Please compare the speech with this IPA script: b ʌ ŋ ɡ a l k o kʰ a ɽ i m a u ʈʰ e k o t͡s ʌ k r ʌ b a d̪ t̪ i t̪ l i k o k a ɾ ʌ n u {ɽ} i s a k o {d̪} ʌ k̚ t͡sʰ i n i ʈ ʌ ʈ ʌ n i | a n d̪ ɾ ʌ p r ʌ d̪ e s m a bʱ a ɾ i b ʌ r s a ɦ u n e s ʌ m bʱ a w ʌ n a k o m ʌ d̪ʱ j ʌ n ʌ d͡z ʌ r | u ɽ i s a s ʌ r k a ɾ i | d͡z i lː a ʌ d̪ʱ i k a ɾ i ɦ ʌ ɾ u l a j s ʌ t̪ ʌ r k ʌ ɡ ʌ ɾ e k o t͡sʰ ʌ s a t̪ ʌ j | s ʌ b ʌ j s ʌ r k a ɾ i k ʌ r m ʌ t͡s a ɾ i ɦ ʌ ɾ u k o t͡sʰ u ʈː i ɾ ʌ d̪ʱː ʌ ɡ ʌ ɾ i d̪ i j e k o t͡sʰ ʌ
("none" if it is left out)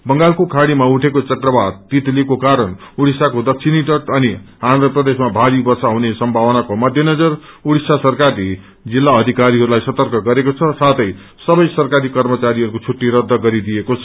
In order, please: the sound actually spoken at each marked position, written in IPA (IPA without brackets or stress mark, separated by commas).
ɽ, d̪